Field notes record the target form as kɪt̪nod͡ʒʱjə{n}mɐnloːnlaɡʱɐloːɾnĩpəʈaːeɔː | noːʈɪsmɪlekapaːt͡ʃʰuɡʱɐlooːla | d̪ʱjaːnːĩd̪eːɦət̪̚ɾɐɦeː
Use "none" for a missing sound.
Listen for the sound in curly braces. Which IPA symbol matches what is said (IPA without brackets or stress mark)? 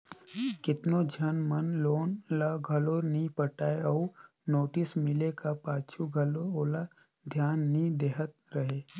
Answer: n